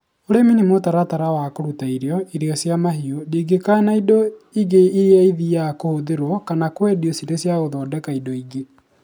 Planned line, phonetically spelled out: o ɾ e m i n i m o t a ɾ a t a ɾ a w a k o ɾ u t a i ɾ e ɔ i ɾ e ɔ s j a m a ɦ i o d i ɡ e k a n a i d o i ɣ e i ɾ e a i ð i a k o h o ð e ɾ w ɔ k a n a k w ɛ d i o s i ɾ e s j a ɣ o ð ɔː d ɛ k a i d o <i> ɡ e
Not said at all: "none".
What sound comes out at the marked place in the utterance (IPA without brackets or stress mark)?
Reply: i